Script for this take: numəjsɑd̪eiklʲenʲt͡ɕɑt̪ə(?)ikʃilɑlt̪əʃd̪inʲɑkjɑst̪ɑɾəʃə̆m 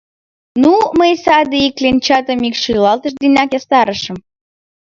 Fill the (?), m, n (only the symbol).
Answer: m